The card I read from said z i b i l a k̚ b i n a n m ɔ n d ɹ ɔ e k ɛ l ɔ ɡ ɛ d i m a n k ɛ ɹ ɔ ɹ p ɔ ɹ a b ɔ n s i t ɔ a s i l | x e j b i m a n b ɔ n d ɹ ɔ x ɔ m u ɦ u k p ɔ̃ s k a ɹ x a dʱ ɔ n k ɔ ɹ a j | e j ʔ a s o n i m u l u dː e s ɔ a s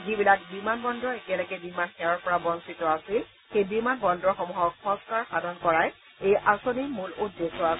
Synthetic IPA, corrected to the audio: z i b i l a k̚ b i m a n b ɔ n d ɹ ɔ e k ɛ l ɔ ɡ ɛ b i m a n x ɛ ɹ ɔ ɹ p ɔ ɹ a b ɔ n s i t ɔ a s i l | x e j b i m a n b ɔ n d ɹ ɔ x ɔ m u ɦ ɔ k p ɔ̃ s k a ɹ x a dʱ ɔ n k ɔ ɹ a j | e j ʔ a s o n i m u l u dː e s ɔ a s

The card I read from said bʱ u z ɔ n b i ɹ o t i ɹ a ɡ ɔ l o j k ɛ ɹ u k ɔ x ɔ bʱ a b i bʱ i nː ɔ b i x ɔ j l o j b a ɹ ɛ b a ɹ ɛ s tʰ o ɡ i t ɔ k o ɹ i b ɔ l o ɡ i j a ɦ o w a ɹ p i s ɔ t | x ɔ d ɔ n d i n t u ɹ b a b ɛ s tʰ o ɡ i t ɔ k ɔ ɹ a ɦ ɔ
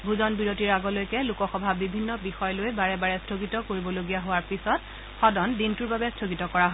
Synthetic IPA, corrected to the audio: bʱ u z ɔ n b i ɹ o t i ɹ a ɡ ɔ l o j k ɛ l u k ɔ x ɔ bʱ a b i bʱ i nː ɔ b i x ɔ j l o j b a ɹ ɛ b a ɹ ɛ s tʰ o ɡ i t ɔ k o ɹ i b ɔ l o ɡ i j a ɦ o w a ɹ p i s ɔ t | x ɔ d ɔ n d i n t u ɹ b a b ɛ s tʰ o ɡ i t ɔ k ɔ ɹ a ɦ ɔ

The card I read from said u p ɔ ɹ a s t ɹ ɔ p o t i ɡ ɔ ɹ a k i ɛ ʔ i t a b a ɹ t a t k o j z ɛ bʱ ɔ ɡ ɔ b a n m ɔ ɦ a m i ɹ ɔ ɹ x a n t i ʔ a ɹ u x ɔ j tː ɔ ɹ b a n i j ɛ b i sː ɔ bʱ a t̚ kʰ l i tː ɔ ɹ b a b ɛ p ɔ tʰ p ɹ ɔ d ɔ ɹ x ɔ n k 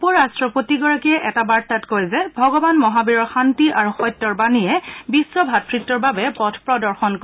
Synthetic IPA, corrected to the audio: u p ɔ ɹ a s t ɹ ɔ p o t i ɡ ɔ ɹ a k i ɛ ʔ ɛ t a b a ɹ t a t k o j z ɛ bʱ ɔ ɡ ɔ b a n m ɔ ɦ a b i ɹ ɔ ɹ x a n t i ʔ a ɹ u x ɔ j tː ɔ ɹ b a n i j ɛ b i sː ɔ bʱ a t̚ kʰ ɹ i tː ɔ ɹ b a b ɛ p ɔ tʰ p ɹ ɔ d ɔ ɹ x ɔ n k

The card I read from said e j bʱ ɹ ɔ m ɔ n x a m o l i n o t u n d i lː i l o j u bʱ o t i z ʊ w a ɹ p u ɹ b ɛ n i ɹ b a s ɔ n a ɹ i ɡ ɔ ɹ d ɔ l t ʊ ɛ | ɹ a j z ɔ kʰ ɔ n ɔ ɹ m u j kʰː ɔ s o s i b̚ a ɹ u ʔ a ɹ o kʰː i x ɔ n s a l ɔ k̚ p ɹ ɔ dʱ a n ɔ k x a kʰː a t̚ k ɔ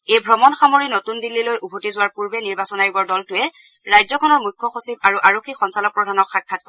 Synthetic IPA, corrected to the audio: e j bʱ ɹ ɔ m ɔ n x a m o ɹ i n o t u n d i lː i l o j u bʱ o t i z ʊ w a ɹ p u ɹ b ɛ n i ɹ b a s ɔ n a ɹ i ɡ ɔ ɹ d ɔ l t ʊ ɛ | ɹ a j z ɔ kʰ ɔ n ɔ ɹ m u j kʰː ɔ x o s i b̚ a ɹ u ʔ a ɹ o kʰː i x ɔ n s a l ɔ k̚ p ɹ ɔ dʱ a n ɔ k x a kʰː a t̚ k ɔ

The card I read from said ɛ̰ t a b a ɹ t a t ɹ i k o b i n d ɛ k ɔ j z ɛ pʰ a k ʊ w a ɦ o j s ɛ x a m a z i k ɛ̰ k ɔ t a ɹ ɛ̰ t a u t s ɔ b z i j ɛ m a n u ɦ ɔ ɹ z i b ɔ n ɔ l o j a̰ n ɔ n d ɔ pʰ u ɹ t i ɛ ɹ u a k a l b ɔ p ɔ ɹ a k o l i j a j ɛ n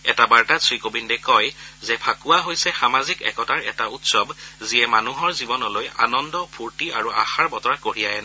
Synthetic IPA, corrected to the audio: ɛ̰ t a b a ɹ t a s ɹ i k o b i n d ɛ k ɔ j z ɛ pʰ a k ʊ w a ɦ o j s ɛ x a m a z i k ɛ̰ k ɔ t a ɹ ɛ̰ t a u t s ɔ b z i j ɛ m a n u ɦ ɔ ɹ z i b ɔ n ɔ l o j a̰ n ɔ n d ɔ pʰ u ɹ t i a ɹ u a x a ɹ b ɔ t ɔ ɹ a k o ɹ i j a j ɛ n

